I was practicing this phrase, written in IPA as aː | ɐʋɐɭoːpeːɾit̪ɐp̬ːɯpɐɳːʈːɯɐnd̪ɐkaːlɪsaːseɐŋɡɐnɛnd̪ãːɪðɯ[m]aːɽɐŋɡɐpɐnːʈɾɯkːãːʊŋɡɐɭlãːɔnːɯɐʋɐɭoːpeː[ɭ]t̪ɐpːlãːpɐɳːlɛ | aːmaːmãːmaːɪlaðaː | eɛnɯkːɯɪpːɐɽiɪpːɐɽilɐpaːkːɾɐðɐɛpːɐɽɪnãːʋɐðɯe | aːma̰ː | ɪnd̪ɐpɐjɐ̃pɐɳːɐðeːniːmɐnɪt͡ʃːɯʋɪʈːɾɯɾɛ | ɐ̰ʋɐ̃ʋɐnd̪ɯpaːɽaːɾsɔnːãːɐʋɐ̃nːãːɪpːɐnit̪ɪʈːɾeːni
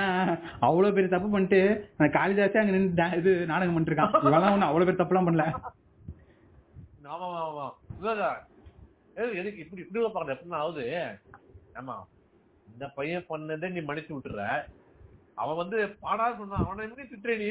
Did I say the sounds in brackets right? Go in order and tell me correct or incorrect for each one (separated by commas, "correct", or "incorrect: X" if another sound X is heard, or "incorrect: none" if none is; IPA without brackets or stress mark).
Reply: incorrect: n, incorrect: ɾ